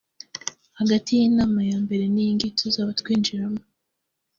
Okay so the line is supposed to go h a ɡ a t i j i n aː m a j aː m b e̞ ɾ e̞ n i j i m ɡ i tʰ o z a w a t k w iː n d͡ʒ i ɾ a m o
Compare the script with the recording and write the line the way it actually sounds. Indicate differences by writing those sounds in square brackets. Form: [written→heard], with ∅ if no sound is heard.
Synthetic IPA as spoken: h a ɡ a t i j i n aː m a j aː m b e̞ ɾ e̞ n i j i [m→ŋ] ɡ i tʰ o z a [w→β] a t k w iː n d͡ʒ i ɾ a m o